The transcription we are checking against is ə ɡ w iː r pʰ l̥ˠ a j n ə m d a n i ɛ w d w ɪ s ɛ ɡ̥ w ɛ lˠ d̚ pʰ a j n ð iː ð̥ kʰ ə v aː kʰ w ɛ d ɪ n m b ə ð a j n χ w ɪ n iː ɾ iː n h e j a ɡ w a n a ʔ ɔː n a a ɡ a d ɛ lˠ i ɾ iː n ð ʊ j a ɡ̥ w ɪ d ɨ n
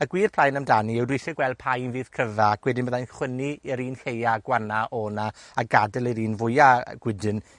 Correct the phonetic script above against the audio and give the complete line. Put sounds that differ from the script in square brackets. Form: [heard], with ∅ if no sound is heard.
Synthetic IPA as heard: ə ɡ w iː r pʰ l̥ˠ a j n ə m d a n i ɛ w d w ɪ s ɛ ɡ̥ w ɛ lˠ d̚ pʰ a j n [v] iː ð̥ kʰ ə v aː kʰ w ɛ d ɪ n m b ə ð a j n χ w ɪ n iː ɾ iː n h e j a ɡ w a n a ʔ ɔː n a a ɡ a d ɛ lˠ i ɾ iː n [v] ʊ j a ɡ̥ w ɪ d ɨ n